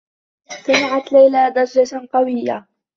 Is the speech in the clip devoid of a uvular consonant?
no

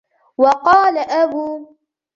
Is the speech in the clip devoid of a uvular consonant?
no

